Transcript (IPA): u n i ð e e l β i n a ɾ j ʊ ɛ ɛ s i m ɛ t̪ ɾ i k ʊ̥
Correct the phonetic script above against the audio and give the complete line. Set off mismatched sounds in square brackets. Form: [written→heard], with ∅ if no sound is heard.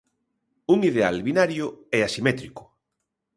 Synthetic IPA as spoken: u [n→ŋ] i ð e [e→a] l β i n a ɾ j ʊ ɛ [ɛ→a] s i m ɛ t̪ ɾ i k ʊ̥